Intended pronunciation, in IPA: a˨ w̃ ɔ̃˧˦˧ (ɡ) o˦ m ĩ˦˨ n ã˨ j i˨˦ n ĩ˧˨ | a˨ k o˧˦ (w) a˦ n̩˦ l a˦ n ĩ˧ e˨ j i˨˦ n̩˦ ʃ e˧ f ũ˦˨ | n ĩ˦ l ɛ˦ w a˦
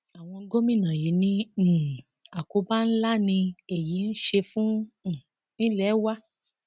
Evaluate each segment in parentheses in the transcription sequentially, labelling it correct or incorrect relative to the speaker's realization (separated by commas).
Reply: correct, incorrect